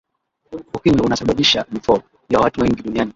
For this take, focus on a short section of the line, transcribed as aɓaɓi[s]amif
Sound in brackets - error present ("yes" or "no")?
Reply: yes